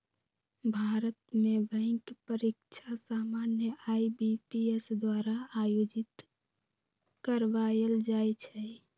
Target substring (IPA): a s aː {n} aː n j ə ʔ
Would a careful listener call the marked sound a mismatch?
yes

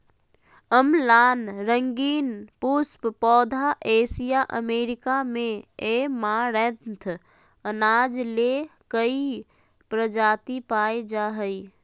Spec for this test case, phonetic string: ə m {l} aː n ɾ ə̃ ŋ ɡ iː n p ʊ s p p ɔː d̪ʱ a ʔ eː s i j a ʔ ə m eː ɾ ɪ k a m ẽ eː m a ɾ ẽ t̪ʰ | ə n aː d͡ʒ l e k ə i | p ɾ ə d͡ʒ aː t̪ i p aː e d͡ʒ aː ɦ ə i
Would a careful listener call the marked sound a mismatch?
no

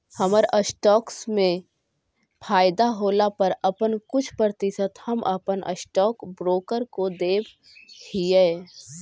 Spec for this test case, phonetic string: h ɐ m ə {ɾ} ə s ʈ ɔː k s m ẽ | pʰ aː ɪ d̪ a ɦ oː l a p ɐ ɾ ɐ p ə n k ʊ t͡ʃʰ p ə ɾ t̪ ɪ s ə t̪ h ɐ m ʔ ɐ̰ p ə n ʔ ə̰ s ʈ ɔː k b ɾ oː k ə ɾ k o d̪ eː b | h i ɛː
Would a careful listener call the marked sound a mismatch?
no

